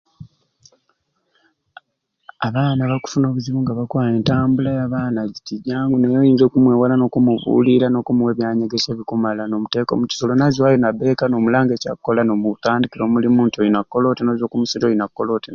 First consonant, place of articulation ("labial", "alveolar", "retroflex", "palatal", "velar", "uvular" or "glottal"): labial